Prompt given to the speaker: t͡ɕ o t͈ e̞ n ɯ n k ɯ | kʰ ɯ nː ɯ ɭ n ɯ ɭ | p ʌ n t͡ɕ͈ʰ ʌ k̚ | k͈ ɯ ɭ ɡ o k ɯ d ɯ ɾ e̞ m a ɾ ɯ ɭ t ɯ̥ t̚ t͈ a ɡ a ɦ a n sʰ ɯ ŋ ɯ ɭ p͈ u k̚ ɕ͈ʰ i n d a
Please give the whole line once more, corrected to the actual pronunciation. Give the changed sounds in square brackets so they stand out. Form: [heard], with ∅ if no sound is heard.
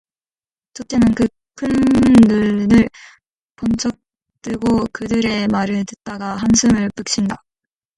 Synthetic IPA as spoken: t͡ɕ o t͈ e̞ n ɯ n k ɯ | kʰ ɯ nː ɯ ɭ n ɯ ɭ | p ʌ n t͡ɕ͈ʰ ʌ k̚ | [t͈] ɯ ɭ ɡ o k ɯ d ɯ ɾ e̞ m a ɾ ɯ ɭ t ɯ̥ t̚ t͈ a ɡ a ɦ a n sʰ ɯ [m] ɯ ɭ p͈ [ɯ] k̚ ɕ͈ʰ i n d a

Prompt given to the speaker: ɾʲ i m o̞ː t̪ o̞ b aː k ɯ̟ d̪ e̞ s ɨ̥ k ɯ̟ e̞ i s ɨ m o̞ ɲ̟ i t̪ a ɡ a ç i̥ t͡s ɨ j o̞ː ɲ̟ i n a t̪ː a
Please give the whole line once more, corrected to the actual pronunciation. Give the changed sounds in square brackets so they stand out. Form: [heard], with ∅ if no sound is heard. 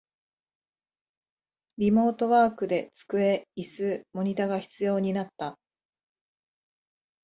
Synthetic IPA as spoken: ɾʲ i m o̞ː t̪ o̞ [β] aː k ɯ̟ d̪ e̞ [t͡s] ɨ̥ k ɯ̟ e̞ i s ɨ m o̞ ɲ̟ i t̪ a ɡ a ç i̥ t͡s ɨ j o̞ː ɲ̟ i n a t̪ː a

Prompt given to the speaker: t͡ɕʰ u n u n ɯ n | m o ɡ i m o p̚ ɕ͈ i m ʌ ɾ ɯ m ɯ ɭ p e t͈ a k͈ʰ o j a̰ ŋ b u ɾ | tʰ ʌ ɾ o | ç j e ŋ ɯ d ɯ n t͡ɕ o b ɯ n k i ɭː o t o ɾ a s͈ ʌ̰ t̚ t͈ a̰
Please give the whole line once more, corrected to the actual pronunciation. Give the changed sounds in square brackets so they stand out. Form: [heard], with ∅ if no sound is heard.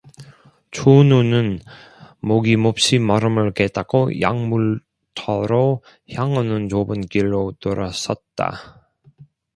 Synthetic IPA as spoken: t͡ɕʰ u n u n ɯ n | m o ɡ i m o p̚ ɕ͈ i m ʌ ɾ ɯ m ɯ ɭ [k] e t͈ a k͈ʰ o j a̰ ŋ [m] u [ɭ] | tʰ ʌ ɾ o | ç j [a] ŋ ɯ [n] ɯ n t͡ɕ o b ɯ n k i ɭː o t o ɾ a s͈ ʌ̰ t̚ t͈ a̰

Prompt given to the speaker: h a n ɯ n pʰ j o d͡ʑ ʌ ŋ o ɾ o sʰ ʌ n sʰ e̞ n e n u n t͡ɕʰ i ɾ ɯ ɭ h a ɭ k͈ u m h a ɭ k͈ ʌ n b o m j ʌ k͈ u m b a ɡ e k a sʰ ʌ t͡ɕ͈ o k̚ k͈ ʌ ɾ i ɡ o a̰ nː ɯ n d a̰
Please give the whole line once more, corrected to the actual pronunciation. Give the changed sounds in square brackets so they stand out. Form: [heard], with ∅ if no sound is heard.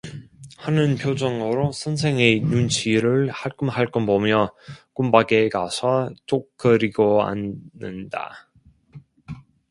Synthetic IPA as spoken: h a n ɯ n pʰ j o d͡ʑ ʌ ŋ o ɾ o sʰ ʌ n sʰ e̞ [ŋ] e n u n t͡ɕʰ i ɾ ɯ ɭ h a ɭ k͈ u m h a ɭ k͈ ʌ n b o m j ʌ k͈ u m b a ɡ e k a sʰ ʌ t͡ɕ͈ o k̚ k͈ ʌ ɾ i ɡ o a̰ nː ɯ n d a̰

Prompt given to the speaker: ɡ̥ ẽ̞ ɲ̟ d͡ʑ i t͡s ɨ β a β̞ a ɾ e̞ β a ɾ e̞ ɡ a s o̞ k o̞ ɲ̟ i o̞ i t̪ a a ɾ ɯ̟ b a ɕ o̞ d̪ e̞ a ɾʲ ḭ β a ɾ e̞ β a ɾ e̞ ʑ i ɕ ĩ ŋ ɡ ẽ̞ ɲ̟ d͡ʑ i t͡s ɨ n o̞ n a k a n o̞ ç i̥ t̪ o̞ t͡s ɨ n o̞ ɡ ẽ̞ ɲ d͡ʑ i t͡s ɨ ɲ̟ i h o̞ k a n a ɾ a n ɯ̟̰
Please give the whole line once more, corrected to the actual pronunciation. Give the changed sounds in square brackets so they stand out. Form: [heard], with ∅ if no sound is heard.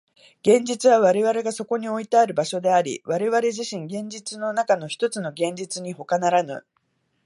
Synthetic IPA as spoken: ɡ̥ ẽ̞ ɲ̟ d͡ʑ i t͡s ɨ β a β̞ a ɾ e̞ β a ɾ e̞ ɡ a s o̞ k o̞ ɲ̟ i o̞ i t̪ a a ɾ ɯ̟ b a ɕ o̞ d̪ e̞ a ɾʲ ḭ β a ɾ e̞ β a ɾ e̞ ʑ i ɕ ĩ ŋ ɡ ẽ̞ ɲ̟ d͡ʑ i t͡s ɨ n o̞ n a k a n o̞ ç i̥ t̪ o̞ t͡s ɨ n o̞ ɡ ẽ̞ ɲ d͡ʑ i t͡s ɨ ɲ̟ i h o̞ k a n a ɾ a n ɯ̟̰

